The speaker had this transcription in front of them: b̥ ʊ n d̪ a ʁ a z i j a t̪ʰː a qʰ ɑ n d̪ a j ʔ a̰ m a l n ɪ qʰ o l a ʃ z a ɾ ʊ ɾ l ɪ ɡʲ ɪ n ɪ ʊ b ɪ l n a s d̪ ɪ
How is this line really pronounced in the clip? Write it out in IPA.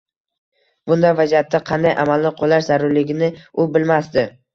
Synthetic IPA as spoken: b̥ ʊ n d̪ a v a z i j a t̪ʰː a qʰ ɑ n d̪ a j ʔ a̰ m a l n ɪ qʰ o l a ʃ z a ɾ ʊ ɾ l ɪ ɡʲ ɪ n ɪ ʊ b ɪ l m a s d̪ ɪ